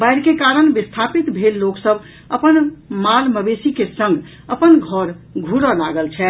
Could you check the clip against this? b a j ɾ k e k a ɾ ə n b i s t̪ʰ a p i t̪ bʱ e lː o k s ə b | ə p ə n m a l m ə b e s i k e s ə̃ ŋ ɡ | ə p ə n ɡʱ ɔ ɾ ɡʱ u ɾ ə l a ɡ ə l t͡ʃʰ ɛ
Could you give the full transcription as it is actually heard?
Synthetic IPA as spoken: b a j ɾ k e k a ɾ ə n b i s t̪ʰ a p i t̪ bʱ e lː o k s ə b | ə p ə n m a l m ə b e s i k e s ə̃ ŋ ɡ | ə p ə n ɡʱ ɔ ɾ ɡʱ u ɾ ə l a ɡ ə l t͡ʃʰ ɛ